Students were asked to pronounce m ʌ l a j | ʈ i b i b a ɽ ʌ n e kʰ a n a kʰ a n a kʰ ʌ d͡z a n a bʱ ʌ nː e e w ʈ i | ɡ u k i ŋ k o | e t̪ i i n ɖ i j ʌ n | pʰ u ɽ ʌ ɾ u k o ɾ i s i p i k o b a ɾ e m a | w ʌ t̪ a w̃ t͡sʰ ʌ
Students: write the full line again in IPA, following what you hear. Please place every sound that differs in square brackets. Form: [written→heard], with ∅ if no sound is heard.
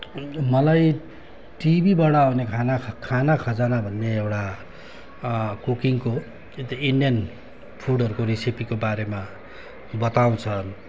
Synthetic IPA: m ʌ l a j | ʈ i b i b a ɽ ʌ n e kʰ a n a kʰ a n a kʰ ʌ d͡z a n a bʱ ʌ nː e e w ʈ [i→a] | [ɡ→k] u k i ŋ k o | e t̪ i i n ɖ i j ʌ n | pʰ u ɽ ʌ ɾ u k o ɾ i s i p i k o b a ɾ e m a | [w→b] ʌ t̪ a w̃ t͡sʰ ʌ